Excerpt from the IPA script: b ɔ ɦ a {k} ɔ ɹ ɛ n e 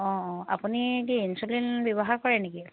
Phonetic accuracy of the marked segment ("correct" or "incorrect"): correct